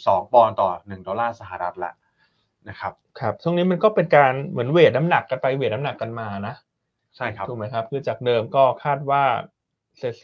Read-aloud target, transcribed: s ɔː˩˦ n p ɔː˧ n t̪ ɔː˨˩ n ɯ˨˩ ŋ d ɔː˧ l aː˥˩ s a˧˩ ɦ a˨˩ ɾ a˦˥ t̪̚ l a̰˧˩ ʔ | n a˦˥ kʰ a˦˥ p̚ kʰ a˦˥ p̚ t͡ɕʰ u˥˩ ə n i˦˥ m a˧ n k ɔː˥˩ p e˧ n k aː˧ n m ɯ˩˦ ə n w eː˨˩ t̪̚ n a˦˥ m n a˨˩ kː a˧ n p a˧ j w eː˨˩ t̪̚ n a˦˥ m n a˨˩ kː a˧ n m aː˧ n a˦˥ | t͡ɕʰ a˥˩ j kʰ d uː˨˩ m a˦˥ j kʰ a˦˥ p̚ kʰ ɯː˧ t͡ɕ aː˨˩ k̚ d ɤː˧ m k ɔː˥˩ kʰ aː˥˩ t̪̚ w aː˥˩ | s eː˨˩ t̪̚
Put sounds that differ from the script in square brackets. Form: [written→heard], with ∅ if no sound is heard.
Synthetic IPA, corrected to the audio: s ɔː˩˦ [n→ŋ] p ɔː˧ n t̪ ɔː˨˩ n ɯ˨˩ ŋ d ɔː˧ l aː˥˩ s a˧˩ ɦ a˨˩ ɾ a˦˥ t̪̚ l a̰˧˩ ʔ | n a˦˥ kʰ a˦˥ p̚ kʰ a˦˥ p̚ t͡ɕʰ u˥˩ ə n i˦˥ m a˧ n k ɔː˥˩ p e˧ n k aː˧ n m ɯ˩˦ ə n w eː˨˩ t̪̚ n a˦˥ m n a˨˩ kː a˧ n p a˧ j w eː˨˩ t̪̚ n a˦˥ m n a˨˩ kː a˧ n m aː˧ n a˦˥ | t͡ɕʰ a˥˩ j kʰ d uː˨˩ m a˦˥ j kʰ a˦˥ p̚ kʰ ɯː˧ t͡ɕ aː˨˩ k̚ d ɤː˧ m k ɔː˥˩ kʰ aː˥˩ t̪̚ w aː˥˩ | s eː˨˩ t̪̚